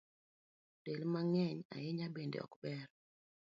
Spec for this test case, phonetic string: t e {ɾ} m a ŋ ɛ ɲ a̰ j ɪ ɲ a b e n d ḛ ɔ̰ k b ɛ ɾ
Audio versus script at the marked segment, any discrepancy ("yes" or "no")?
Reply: yes